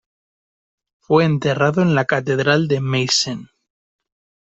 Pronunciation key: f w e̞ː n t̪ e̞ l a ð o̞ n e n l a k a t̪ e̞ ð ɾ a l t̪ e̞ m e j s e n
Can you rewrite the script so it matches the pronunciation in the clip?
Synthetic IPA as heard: f w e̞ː n t̪ e̞ r a ð o̞ e n l a k a t̪ e̞ ð ɾ a l d̪ e̞ m e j s e n